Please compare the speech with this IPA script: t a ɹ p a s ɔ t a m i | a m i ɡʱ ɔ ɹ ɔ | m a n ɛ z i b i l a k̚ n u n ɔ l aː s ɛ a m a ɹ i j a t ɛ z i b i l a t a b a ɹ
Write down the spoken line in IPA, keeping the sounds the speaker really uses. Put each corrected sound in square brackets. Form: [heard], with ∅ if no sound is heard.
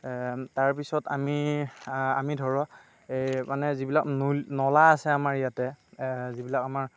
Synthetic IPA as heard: t a ɹ p [i] s ɔ t a m i | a m i [dʱ] ɔ ɹ ɔ | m a n ɛ z i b i l a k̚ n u n ɔ l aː s ɛ a m a ɹ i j a t ɛ z i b i l a [k] a [m] a ɹ